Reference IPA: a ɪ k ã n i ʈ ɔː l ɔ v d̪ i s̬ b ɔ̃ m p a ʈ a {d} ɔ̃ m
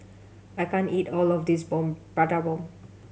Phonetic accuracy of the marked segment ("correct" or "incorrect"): incorrect